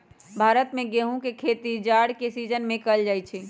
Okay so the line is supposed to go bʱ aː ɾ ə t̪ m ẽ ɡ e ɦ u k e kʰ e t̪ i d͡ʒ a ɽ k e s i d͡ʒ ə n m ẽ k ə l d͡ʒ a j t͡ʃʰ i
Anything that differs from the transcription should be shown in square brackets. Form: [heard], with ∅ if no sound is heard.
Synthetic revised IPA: bʱ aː ɾ ə t̪ m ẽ ɡ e ɦ [ũ] k e kʰ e t̪ i d͡ʒ a ɽ k e s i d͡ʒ ə n m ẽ k ə l d͡ʒ a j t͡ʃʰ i